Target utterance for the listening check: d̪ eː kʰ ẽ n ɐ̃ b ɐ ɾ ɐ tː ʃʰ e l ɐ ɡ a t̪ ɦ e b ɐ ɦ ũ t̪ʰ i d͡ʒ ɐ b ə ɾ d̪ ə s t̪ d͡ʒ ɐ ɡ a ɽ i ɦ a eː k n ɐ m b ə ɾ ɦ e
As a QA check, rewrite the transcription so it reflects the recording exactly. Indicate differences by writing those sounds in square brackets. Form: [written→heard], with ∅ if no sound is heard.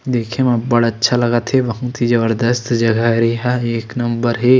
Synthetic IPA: d̪ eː kʰ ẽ [n→m] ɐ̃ b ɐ [ɾ→ɽ] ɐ tː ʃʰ [e→a] l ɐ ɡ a t̪ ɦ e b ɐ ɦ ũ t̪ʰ i d͡ʒ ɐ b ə ɾ d̪ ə s t̪ d͡ʒ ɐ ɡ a [ɽ→ɾ] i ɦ a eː k n ɐ m b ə ɾ ɦ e